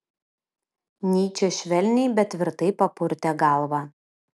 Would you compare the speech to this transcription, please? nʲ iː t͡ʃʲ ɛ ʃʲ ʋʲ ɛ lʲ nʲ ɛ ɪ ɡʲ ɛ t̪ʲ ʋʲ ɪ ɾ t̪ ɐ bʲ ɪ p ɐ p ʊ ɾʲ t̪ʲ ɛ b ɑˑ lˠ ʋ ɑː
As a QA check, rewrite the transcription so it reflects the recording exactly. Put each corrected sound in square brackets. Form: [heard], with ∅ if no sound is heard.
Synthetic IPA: nʲ iː t͡ʃʲ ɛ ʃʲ ʋʲ ɛ lʲ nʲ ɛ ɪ [bʲ] ɛ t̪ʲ ʋʲ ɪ ɾ t̪ ɐ [∅] ɪ p ɐ p ʊ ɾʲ t̪ʲ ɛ [ɡ] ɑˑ lˠ ʋ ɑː